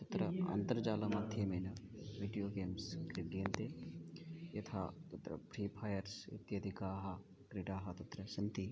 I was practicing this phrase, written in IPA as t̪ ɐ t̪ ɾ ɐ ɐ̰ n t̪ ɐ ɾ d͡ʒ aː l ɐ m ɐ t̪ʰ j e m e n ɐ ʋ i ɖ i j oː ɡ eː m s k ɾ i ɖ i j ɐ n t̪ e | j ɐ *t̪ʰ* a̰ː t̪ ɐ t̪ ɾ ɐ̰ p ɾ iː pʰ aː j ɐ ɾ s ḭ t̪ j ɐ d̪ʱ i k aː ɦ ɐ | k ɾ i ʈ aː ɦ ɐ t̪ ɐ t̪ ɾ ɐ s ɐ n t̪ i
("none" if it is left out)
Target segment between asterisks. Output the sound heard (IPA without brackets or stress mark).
t̪ʰ